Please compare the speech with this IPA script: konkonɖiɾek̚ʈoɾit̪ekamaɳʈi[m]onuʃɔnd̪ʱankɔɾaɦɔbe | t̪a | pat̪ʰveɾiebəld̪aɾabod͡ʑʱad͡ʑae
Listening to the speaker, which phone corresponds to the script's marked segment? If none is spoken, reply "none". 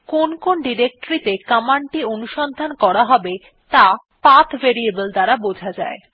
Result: none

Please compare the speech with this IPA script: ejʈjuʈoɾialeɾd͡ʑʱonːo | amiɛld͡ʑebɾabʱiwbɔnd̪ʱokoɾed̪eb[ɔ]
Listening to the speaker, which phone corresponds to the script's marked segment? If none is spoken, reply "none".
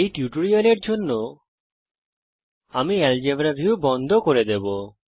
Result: o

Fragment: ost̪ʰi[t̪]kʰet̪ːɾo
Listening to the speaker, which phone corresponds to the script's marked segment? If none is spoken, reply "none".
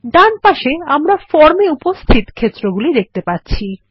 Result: t̪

